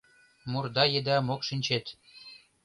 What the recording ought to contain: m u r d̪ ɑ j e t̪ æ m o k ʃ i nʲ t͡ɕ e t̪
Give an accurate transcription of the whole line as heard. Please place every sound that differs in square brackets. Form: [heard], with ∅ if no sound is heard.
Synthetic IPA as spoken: m u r d̪ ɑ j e [d̪] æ m o k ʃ i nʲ t͡ɕ e t̪